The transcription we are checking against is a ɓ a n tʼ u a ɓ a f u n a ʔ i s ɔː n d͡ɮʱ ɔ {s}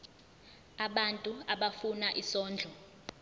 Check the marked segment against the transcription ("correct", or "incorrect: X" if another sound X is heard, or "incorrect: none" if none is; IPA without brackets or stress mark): incorrect: none